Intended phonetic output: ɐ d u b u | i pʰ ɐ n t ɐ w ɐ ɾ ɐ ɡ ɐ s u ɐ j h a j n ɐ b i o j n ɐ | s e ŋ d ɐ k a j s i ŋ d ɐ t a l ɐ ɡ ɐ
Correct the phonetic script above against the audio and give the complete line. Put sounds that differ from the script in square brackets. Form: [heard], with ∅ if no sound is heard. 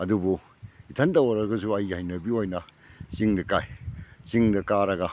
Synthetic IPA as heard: ɐ d u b u | i [tʰ] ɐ n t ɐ w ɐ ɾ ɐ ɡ ɐ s u ɐ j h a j n ɐ b i o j n ɐ | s [i] ŋ d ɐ k a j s i ŋ d ɐ [k] a [ɾ] ɐ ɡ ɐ